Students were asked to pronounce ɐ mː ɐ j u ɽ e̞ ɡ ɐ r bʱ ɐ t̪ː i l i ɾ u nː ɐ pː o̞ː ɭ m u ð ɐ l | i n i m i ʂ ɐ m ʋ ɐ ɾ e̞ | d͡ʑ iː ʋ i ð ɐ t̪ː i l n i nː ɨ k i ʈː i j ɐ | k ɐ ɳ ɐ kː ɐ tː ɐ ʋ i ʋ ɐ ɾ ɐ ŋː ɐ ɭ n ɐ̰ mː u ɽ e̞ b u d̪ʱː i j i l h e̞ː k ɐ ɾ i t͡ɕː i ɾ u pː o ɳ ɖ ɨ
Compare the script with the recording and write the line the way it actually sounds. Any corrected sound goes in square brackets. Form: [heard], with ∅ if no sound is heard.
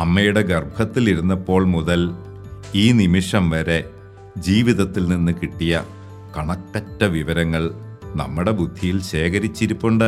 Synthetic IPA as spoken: ɐ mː ɐ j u ɽ e̞ ɡ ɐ r bʱ ɐ t̪ː i l i ɾ u nː ɐ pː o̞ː ɭ m u ð ɐ l | [iː] n i m i ʂ ɐ m ʋ ɐ ɾ e̞ | d͡ʑ iː ʋ i ð ɐ t̪ː i l n i nː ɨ k i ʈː i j ɐ | k ɐ ɳ ɐ kː ɐ tː ɐ ʋ i ʋ ɐ ɾ ɐ ŋː ɐ ɭ n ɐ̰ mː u ɽ e̞ b u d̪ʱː i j i l [ɕ] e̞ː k ɐ ɾ i t͡ɕː i ɾ u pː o ɳ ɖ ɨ